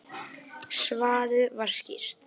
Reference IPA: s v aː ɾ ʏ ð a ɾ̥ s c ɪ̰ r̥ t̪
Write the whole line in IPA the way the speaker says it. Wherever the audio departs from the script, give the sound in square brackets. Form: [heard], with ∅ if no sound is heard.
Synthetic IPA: s v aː ɾ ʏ [v] a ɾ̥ s c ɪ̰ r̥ t̪